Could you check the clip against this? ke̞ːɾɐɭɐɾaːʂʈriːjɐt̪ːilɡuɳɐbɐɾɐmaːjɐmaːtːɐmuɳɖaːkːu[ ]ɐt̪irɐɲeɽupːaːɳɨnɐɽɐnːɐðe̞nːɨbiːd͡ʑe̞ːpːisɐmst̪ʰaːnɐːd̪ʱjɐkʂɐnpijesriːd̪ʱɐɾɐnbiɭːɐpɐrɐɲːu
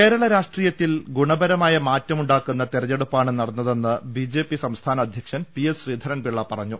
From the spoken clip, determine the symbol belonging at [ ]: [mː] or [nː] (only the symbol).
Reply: nː